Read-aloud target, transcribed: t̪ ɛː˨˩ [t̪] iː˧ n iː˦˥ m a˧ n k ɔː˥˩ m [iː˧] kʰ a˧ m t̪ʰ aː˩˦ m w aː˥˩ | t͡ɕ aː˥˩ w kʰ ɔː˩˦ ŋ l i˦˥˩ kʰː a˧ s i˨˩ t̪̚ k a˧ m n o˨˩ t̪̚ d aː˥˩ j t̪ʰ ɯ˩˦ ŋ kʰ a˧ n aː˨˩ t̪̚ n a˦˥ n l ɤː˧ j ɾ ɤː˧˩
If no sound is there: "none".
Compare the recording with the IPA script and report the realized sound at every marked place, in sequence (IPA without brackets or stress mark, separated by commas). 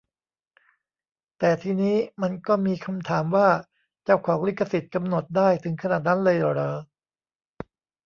t̪ʰ, iː˧